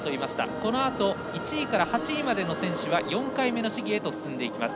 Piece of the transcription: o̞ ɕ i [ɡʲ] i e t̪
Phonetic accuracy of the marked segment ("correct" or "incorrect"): correct